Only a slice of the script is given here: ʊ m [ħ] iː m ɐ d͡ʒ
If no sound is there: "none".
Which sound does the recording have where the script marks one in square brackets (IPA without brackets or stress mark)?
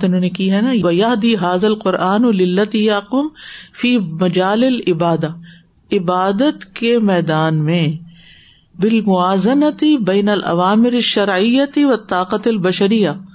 f